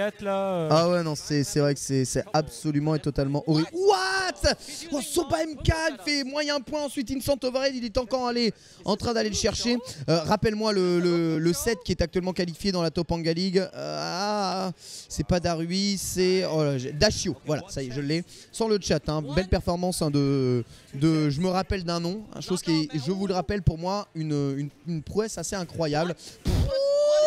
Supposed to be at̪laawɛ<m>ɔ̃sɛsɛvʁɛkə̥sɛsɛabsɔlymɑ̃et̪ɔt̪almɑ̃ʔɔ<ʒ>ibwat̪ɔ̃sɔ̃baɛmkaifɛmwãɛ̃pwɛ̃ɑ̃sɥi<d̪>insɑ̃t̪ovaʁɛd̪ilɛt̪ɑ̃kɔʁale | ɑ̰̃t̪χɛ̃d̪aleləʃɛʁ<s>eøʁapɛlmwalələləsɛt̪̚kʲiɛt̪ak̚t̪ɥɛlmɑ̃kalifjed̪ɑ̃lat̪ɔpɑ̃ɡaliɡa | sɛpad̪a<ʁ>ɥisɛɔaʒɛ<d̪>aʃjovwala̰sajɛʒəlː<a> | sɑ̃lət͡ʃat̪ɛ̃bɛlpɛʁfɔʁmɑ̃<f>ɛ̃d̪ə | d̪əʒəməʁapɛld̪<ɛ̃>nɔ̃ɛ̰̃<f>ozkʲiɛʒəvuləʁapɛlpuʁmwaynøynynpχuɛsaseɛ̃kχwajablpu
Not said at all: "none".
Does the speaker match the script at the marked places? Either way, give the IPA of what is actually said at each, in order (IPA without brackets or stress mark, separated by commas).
n, ʁ, t̪, ʃ, ʁ, d̪, ɛ, s, ɛ̃, ʃ